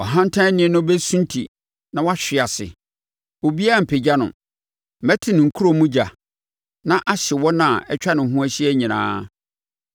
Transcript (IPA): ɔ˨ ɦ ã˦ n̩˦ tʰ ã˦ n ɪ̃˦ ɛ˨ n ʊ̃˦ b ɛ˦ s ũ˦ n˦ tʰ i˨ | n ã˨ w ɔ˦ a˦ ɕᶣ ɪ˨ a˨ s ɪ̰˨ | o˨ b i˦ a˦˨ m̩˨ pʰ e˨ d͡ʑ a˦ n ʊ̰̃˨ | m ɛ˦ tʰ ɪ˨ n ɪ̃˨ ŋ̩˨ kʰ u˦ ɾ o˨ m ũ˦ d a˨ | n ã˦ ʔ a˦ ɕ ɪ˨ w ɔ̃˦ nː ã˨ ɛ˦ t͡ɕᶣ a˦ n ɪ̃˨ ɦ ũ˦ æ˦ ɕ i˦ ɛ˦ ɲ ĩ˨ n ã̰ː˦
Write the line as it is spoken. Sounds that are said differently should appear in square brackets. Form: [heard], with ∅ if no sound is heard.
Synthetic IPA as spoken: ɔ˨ ɦ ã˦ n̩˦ tʰ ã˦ n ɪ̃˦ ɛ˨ n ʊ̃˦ b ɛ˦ s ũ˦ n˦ tʰ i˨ | n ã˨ w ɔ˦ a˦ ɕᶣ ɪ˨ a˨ s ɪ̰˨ | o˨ b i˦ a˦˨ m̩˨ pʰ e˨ d͡ʑ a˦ n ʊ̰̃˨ | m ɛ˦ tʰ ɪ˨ n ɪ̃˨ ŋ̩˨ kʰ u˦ ɾ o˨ m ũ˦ [d͡ʑ] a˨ | n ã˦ ʔ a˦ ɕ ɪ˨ w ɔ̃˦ [n] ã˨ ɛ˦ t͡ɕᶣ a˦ n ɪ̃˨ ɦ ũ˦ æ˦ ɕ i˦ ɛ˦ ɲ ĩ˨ n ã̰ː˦